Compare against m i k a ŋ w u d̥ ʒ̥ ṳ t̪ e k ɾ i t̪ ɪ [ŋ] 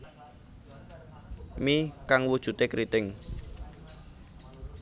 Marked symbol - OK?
yes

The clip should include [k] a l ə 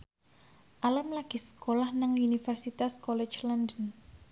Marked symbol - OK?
no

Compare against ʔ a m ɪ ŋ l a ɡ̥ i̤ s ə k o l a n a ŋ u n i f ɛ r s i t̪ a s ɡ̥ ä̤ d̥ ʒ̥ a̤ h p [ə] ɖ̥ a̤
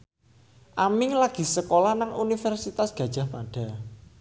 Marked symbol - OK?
no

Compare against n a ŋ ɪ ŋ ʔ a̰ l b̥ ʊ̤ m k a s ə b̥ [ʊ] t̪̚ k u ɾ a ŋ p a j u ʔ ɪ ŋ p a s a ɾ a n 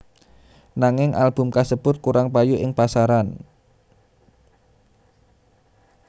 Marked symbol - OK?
yes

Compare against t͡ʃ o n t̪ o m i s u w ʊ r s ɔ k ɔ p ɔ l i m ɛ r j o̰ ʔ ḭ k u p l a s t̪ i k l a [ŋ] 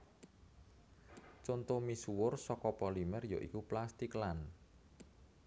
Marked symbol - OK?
no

